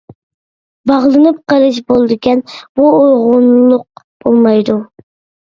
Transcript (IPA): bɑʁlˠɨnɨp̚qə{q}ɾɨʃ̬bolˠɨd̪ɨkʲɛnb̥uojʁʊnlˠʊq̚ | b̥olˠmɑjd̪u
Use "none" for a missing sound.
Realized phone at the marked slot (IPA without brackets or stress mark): none